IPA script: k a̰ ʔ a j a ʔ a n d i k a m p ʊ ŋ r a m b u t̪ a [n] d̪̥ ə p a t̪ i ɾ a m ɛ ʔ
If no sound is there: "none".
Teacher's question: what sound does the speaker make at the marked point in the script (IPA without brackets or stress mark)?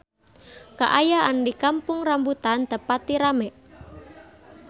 n